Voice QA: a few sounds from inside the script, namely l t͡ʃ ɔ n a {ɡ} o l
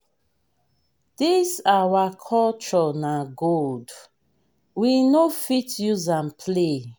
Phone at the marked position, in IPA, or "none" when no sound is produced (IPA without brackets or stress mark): ɡ